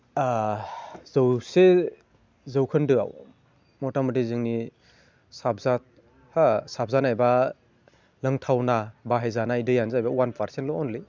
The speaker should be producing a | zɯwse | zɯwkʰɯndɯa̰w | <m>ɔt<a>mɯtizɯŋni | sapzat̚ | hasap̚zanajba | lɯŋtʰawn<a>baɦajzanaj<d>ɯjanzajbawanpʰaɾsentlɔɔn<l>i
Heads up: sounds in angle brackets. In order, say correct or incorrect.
correct, correct, correct, correct, correct

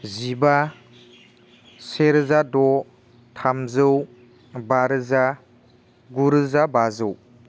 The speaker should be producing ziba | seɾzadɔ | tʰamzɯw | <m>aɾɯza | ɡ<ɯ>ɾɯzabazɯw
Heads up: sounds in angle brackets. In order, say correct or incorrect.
incorrect, incorrect

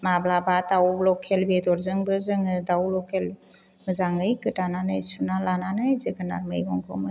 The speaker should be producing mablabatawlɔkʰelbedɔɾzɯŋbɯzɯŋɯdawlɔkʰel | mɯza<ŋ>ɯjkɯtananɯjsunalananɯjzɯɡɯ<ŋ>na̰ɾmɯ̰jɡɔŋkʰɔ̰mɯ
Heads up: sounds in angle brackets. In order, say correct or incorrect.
correct, incorrect

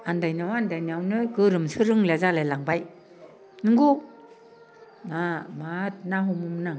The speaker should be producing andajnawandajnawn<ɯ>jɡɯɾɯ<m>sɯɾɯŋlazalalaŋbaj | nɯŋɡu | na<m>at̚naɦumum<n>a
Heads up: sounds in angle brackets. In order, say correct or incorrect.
correct, correct, correct, correct

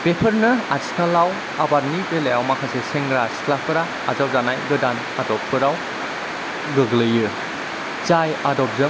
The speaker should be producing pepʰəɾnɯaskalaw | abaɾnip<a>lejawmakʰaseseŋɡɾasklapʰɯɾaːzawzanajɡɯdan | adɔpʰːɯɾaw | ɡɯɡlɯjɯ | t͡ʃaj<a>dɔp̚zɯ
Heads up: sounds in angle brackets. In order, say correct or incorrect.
incorrect, correct

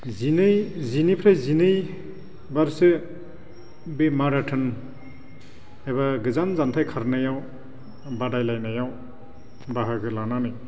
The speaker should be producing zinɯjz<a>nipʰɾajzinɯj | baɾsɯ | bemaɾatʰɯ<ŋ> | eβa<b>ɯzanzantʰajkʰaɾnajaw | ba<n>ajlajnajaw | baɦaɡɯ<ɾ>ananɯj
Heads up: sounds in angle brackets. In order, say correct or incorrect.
incorrect, incorrect, incorrect, incorrect, incorrect

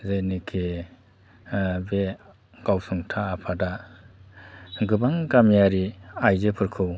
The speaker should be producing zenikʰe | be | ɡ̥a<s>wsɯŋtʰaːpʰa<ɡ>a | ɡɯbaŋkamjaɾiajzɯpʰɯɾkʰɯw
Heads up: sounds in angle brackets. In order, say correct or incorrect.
incorrect, incorrect

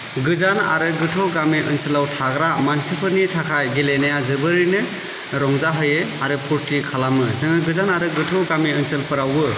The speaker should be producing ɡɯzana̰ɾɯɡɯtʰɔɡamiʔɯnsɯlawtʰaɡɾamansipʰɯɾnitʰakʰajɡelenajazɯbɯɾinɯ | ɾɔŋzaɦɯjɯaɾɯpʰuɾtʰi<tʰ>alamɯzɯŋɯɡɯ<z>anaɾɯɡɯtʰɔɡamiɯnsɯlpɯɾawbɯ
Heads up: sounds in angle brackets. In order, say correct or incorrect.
incorrect, correct

